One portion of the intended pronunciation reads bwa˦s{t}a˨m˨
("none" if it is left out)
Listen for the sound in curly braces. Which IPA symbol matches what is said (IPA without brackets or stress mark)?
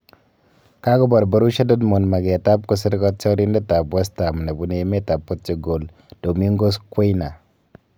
t